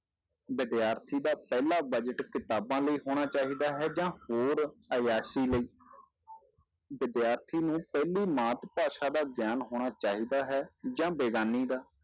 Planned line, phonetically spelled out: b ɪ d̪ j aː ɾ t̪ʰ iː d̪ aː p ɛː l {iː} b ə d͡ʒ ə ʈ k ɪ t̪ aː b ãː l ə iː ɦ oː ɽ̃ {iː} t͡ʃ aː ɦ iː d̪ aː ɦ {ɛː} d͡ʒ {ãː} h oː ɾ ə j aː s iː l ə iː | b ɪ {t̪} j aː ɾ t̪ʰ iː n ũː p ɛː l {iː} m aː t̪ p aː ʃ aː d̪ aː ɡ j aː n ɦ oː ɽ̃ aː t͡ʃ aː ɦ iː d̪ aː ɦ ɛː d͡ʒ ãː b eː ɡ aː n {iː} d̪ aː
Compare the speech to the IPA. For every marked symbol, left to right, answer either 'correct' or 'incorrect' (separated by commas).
incorrect, incorrect, correct, correct, incorrect, correct, correct